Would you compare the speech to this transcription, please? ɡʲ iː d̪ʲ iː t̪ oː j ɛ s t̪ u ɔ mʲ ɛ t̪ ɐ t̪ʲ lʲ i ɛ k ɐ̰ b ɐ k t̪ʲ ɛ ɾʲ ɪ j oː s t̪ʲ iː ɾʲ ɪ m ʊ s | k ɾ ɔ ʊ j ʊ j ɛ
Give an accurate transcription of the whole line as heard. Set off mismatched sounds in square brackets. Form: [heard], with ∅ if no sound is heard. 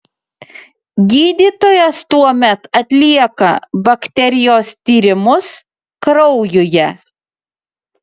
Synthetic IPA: ɡʲ iː d̪ʲ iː t̪ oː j ɛ s t̪ u ɔ mʲ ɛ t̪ ɐ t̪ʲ lʲ i ɛ k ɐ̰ b ɐ k t̪ʲ ɛ ɾʲ ɪ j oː s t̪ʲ iː ɾʲ ɪ m ʊ s | k ɾ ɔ ʊ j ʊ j ɛ

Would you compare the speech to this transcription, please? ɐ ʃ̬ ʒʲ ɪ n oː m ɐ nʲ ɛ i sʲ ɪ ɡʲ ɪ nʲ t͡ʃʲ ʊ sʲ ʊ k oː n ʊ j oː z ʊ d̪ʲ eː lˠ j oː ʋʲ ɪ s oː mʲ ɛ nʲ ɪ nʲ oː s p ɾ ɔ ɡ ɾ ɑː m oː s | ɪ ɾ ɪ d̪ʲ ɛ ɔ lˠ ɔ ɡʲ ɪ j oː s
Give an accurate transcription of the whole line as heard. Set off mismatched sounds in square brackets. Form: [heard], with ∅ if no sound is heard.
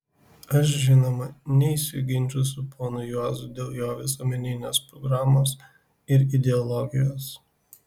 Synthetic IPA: ɐ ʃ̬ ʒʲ ɪ n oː m ɐ nʲ ɛ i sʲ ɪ ɡʲ ɪ nʲ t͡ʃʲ ʊ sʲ ʊ [p] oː n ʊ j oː z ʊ d̪ʲ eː lˠ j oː ʋʲ ɪ s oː mʲ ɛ nʲ ɪ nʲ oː s p ɾ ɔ ɡ ɾ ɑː m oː s | ɪ ɾ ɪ d̪ʲ ɛ ɔ lˠ ɔ ɡʲ ɪ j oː s

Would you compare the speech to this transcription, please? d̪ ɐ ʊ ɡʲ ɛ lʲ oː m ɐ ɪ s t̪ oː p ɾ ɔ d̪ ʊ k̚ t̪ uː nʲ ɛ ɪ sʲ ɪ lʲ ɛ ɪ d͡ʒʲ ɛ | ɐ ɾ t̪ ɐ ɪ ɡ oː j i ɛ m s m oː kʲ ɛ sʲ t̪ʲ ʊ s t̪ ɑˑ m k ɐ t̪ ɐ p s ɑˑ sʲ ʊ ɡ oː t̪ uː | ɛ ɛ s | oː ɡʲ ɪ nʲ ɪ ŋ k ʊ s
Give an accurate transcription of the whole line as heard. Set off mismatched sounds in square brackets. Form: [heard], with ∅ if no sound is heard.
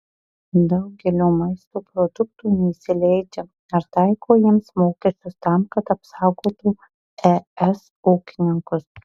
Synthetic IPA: d̪ ɐ ʊ ɡʲ ɛ lʲ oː m ɐ ɪ s t̪ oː p ɾ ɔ d̪ ʊ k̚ t̪ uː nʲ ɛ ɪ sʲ ɪ lʲ ɛ ɪ d͡ʒʲ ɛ | ɐ ɾ t̪ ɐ ɪ [k] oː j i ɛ m s m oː kʲ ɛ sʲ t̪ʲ ʊ s t̪ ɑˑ m k ɐ t̪ ɐ p s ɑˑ [∅] ʊ ɡ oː t̪ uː | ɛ ɛ s | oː [kʲ] ɪ nʲ ɪ ŋ k ʊ s

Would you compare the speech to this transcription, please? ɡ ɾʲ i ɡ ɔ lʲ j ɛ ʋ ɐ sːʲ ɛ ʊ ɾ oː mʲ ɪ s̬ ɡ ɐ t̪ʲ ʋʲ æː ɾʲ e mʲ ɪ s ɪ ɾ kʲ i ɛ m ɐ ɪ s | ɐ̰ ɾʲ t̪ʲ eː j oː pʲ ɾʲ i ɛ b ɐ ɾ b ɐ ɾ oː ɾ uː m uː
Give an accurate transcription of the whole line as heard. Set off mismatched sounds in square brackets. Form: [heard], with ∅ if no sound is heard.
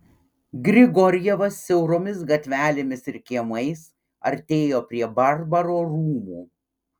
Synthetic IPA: ɡ ɾʲ [ɪ] ɡ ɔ [ɾʲ] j ɛ ʋ ɐ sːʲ ɛ ʊ ɾ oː mʲ ɪ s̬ ɡ ɐ t̪ʲ ʋʲ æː [lʲ] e mʲ ɪ s ɪ ɾ kʲ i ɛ m ɐ ɪ s | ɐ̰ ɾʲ t̪ʲ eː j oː pʲ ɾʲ i ɛ b ɐ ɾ b ɐ ɾ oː ɾ uː m uː

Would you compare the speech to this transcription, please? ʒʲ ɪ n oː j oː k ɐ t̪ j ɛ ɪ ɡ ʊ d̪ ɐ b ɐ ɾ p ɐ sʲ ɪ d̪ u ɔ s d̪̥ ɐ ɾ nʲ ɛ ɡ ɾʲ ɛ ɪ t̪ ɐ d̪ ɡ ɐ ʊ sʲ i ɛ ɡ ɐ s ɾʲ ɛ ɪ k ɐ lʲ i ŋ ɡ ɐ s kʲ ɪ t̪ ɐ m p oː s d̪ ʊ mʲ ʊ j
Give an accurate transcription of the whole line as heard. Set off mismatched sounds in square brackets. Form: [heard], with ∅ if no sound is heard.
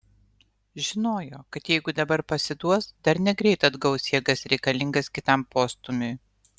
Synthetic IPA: ʒʲ ɪ n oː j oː k ɐ t̪ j ɛ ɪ ɡ ʊ d̪ ɐ b ɐ ɾ p ɐ sʲ ɪ d̪ u ɔ s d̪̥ ɐ ɾ nʲ ɛ ɡ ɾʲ ɛ ɪ t̪ ɐ d̪ ɡ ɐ ʊ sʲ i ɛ ɡ ɐ s ɾʲ ɛ ɪ k ɐ lʲ [ɪ] ŋ ɡ ɐ s kʲ ɪ t̪ ɐ m p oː s [t̪] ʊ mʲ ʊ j

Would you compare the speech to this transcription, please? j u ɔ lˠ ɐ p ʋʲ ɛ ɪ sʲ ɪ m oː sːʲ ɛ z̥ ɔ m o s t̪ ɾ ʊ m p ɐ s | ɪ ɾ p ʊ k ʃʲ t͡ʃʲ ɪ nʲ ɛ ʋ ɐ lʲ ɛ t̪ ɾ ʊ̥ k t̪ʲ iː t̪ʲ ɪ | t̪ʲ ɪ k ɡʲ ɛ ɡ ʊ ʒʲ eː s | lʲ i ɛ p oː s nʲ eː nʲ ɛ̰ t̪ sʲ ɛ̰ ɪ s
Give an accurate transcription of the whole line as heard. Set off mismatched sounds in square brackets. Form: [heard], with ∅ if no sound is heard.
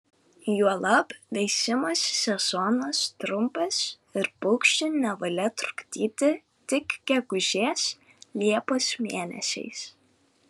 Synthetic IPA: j u ɔ lˠ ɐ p ʋʲ ɛ ɪ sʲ ɪ m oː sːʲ ɛ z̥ ɔ [n] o s t̪ ɾ ʊ m p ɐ s | ɪ ɾ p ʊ k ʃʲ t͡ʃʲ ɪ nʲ ɛ ʋ ɐ lʲ ɛ t̪ ɾ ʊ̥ k t̪ʲ iː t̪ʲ ɪ | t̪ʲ ɪ k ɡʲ ɛ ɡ ʊ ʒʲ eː s | lʲ i ɛ p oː s [mʲ] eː nʲ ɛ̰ [∅] sʲ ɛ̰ ɪ s

